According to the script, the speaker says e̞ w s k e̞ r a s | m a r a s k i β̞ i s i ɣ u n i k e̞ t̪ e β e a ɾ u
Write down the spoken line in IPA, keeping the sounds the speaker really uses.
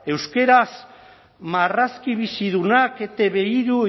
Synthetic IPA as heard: e̞ w s k e̞ ɾ a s | m a r a s k i β̞ i s i ð u n a k e̞ t̪ e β e i ɾ u